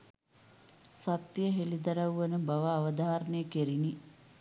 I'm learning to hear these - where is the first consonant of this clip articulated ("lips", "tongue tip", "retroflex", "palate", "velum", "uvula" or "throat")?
tongue tip